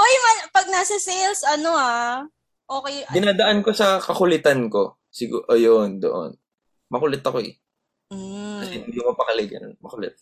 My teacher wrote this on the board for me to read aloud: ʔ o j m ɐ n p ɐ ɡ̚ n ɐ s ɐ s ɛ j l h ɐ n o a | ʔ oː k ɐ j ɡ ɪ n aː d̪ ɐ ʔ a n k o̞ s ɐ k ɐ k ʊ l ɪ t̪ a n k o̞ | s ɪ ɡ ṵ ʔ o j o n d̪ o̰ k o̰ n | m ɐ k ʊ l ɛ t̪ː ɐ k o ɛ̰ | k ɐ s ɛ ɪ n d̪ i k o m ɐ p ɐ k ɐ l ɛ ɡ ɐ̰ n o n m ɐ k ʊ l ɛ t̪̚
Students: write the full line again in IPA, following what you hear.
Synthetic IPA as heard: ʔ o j m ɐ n p ɐ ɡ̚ n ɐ s ɐ s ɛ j l s ɐ n o a | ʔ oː k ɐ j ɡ ɪ n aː d̪ ɐ ʔ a n k o̞ s ɐ k ɐ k ʊ l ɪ t̪ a n k o̞ | s ɪ ɡ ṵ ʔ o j o n d̪ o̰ ʔ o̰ n | m ɐ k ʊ l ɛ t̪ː ɐ k o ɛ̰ | k ɐ s ɛ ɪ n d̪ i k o m ɐ p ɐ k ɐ l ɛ ɡ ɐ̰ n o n m ɐ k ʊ l ɛ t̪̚